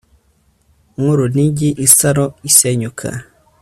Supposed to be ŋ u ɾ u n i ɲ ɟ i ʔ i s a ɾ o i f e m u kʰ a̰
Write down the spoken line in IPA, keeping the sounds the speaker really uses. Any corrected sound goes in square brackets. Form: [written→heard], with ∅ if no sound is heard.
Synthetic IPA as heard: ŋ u ɾ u n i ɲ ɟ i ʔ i s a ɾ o i [f→s] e [m→ɲ] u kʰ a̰